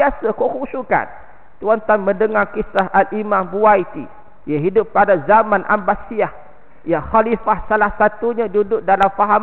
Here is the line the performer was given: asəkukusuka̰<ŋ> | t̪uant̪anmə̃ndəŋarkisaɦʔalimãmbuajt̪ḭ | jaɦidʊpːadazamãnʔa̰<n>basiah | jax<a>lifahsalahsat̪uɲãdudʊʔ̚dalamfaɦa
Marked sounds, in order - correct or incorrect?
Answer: incorrect: n, incorrect: m, correct

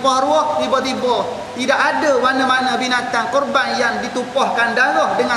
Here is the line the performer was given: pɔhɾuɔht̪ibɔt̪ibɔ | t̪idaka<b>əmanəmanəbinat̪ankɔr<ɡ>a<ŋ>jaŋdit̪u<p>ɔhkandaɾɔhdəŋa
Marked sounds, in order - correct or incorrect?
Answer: incorrect: d, incorrect: b, incorrect: n, correct

